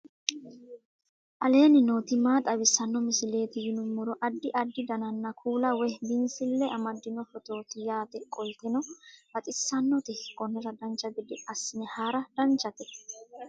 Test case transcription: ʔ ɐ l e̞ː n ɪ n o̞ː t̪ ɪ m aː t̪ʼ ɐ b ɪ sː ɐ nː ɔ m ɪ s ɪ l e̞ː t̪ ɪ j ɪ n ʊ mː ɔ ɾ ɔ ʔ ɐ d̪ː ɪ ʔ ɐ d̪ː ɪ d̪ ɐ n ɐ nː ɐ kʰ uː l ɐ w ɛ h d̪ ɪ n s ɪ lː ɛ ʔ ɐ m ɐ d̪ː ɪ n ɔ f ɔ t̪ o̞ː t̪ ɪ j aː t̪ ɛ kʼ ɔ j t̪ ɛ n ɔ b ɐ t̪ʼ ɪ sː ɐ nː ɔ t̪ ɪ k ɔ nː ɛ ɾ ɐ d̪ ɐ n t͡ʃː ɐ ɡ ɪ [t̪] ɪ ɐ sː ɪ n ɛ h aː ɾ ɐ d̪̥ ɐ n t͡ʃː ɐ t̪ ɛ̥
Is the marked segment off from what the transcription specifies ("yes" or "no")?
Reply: yes